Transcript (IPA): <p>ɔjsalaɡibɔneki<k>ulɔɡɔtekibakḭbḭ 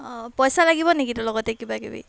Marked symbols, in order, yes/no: yes, no

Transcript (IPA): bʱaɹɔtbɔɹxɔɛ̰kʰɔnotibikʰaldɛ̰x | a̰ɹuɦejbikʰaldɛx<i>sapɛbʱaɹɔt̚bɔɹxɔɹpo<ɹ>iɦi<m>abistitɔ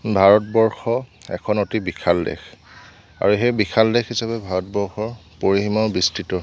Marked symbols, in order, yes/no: yes, yes, yes

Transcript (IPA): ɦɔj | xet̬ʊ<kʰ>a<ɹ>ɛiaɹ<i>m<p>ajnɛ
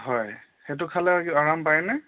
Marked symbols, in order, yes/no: yes, no, no, yes

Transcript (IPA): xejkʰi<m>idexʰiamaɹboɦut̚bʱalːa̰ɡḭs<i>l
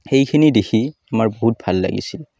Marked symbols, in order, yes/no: no, yes

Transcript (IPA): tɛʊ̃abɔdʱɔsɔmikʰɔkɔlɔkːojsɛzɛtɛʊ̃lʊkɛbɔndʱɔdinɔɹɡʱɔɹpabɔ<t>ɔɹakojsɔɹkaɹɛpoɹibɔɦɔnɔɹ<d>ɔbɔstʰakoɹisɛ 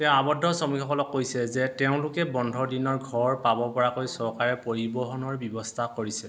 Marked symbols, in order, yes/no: no, no

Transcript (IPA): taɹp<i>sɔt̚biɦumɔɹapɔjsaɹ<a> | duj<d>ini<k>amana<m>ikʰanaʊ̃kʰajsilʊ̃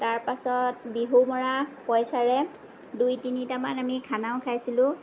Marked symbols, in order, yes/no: no, no, no, no, yes

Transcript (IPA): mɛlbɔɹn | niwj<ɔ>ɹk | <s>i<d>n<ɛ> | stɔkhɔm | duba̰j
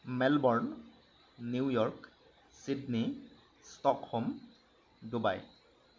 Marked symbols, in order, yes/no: yes, yes, yes, no

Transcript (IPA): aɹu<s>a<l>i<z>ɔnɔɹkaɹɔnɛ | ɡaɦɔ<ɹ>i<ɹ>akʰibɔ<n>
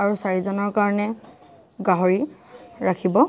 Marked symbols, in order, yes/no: yes, no, yes, yes, yes, no

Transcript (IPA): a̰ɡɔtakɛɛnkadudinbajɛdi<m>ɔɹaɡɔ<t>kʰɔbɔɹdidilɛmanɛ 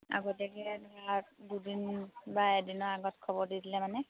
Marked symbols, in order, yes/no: no, yes

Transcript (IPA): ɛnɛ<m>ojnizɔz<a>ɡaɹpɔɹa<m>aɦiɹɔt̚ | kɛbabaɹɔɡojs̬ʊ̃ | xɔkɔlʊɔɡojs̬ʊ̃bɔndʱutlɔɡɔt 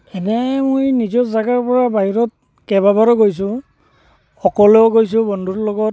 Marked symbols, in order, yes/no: yes, yes, no

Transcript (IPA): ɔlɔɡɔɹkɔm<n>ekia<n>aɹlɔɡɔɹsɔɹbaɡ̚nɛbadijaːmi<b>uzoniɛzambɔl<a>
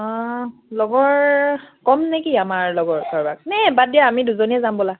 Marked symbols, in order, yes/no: yes, no, no, yes

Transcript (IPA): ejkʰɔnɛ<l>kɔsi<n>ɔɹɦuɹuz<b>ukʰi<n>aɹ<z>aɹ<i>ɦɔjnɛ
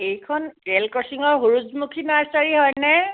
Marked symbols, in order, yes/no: yes, no, no, yes, no, yes

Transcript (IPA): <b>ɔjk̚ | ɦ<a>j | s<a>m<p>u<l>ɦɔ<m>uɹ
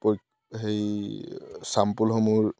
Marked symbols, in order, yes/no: no, no, yes, yes, yes, yes

